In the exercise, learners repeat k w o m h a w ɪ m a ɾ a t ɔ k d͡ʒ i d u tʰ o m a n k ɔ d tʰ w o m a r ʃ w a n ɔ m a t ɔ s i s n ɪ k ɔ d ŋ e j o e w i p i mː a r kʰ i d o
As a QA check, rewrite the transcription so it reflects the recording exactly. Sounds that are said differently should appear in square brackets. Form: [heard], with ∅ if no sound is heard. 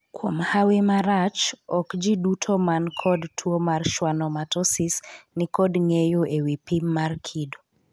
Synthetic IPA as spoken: k w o m h a w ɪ m a ɾ a [t͡ʃ] ɔ k d͡ʒ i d u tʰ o m a n [kʰ] ɔ d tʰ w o m a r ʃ w a n ɔ m a t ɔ s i s n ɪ k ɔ d ŋ e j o e w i p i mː a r kʰ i d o